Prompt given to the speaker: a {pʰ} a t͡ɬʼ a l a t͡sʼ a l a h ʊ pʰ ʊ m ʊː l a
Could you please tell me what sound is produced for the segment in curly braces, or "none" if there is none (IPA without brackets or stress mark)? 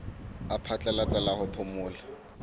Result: pʰ